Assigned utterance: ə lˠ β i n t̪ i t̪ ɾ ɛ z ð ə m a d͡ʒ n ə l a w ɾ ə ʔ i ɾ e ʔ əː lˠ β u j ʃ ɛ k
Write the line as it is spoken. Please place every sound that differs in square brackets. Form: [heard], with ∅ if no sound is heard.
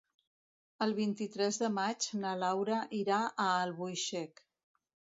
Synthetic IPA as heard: ə lˠ β i n t̪ i t̪ ɾ ɛ z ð ə m a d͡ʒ n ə l a w ɾ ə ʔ i ɾ [a] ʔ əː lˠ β u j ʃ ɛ k